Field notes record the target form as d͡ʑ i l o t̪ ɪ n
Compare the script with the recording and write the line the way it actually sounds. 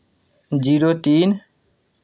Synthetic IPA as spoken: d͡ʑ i ɾ o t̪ i n